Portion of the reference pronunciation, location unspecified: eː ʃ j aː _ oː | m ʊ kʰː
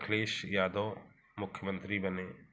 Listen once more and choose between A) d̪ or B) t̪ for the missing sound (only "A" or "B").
A